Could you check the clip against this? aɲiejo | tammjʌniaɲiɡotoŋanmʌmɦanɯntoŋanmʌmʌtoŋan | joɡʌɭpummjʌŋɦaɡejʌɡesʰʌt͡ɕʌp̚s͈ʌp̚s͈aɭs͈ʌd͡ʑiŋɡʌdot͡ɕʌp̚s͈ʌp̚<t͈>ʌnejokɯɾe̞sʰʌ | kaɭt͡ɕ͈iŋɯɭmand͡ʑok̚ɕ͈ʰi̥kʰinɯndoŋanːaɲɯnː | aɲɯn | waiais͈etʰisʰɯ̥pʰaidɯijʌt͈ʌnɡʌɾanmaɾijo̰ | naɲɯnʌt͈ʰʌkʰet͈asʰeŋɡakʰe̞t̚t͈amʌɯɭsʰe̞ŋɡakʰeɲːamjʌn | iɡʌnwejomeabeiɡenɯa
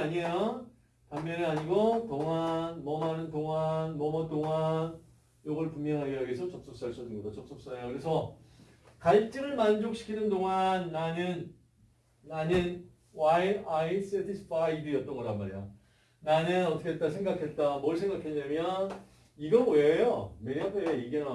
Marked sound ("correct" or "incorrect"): incorrect